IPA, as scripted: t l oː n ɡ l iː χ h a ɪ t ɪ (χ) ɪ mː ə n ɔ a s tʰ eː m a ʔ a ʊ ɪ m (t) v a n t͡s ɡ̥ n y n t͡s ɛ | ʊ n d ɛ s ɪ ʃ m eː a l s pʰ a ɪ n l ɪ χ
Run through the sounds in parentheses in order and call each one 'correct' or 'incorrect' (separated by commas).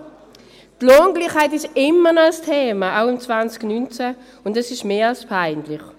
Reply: incorrect, incorrect